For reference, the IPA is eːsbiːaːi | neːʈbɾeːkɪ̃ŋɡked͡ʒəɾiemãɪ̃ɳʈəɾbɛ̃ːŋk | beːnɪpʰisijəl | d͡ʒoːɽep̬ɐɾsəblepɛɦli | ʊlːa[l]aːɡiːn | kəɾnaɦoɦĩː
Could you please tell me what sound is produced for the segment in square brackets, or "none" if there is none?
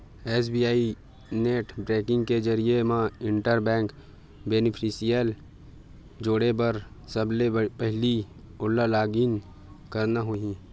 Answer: l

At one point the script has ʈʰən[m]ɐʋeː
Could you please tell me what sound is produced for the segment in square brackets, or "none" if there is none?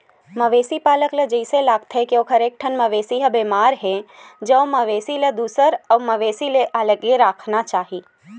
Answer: m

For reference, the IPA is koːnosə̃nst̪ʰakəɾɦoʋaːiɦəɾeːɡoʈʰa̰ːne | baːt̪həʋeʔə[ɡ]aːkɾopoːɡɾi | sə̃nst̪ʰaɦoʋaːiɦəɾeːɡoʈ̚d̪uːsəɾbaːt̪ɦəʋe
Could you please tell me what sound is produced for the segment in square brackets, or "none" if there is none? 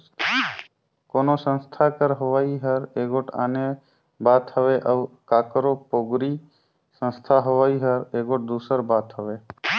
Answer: k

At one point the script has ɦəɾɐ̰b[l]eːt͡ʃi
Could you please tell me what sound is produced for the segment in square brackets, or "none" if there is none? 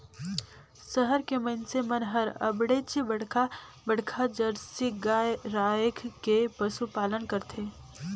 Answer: ɽ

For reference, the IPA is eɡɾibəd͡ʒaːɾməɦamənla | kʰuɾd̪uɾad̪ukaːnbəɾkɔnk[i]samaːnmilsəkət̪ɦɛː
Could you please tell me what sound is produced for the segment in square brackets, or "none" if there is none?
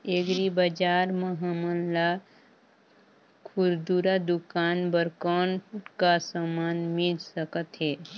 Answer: a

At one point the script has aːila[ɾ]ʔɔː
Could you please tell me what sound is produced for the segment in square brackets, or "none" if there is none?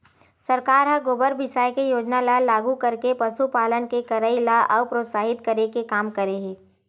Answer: none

